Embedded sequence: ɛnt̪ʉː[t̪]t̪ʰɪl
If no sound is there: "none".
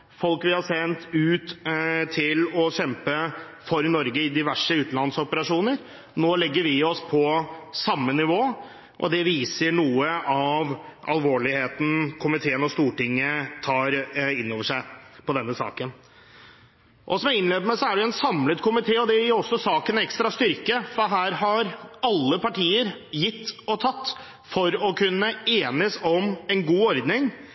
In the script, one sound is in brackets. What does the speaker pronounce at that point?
t̪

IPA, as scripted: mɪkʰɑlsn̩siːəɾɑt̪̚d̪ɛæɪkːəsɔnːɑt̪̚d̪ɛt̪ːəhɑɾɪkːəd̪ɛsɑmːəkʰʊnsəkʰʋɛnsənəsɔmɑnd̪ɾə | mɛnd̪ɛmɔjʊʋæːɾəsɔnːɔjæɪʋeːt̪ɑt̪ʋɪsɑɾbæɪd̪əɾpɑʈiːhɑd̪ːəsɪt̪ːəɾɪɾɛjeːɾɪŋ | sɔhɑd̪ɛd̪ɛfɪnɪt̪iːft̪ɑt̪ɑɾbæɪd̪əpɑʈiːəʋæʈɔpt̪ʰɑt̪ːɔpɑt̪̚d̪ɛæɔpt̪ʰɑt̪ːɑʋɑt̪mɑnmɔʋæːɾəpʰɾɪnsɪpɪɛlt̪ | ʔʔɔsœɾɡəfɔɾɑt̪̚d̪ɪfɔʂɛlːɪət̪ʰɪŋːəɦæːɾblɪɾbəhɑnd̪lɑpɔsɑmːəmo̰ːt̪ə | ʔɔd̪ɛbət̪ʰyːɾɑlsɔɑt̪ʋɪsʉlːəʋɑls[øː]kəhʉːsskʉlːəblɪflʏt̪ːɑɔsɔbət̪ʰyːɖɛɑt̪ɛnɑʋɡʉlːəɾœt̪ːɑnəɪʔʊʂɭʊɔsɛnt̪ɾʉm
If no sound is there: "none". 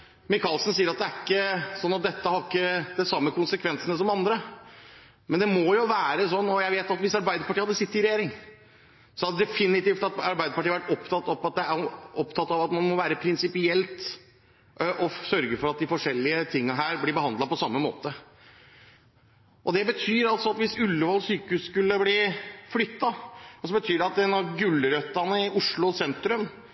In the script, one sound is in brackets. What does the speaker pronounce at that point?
yː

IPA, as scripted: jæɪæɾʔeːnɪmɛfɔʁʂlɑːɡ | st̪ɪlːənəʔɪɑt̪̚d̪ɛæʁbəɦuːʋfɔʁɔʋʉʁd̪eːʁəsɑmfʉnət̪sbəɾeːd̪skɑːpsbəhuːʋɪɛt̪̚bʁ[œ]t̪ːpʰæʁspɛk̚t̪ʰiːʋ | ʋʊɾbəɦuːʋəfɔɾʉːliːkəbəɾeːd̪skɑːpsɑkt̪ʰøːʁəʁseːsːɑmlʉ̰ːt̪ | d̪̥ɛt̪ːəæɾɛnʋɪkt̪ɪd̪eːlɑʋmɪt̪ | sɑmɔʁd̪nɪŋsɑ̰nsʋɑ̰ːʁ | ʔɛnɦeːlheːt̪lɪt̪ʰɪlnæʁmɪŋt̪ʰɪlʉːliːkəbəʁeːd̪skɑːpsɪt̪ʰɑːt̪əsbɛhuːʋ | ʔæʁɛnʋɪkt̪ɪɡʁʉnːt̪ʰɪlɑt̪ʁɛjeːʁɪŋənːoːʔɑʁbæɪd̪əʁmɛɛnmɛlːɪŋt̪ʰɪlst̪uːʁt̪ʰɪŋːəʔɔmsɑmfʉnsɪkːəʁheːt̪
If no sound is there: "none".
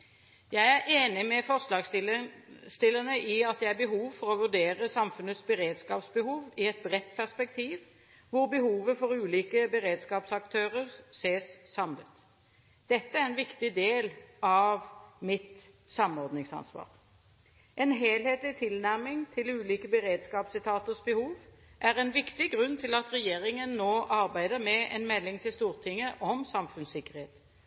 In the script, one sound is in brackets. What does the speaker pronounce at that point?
ɛ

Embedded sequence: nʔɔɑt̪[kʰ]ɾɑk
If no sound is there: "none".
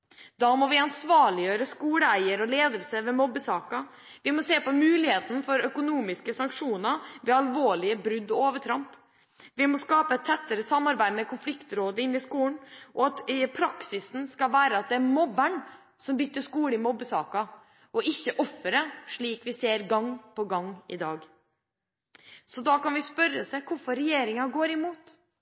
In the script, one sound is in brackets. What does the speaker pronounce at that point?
pʰ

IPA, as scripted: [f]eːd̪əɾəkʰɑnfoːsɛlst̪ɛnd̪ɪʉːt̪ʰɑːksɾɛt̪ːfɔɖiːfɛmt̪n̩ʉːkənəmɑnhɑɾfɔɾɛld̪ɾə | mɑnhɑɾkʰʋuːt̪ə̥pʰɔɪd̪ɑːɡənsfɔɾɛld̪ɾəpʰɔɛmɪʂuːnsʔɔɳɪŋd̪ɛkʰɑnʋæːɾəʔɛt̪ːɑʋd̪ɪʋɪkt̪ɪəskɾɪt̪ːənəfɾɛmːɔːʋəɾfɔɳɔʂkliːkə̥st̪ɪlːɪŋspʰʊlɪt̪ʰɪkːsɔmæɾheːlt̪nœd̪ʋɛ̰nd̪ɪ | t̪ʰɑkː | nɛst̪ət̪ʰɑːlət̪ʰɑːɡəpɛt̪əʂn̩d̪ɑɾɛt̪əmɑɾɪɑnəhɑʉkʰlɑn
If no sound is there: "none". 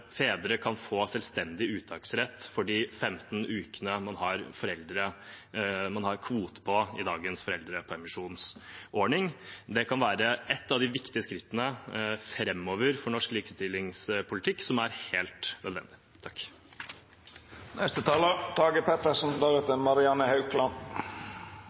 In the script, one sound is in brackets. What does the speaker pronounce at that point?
f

